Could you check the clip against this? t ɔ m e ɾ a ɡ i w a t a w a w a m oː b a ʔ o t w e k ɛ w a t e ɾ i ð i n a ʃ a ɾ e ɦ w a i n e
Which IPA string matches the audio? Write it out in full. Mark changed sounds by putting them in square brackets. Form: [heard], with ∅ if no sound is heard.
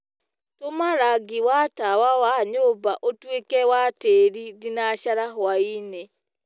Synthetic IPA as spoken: t [o] m [a] ɾ a ɡ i w a t a w a w a [ɲ] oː b a ʔ o t w e k ɛ w a t e ɾ i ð i n a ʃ a ɾ [a] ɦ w a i n e